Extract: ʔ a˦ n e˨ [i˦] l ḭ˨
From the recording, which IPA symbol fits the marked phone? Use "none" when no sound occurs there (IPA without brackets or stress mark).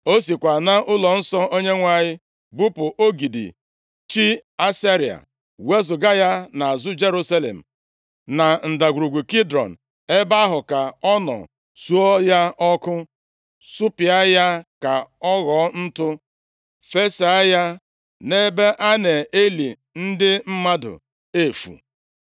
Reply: e˦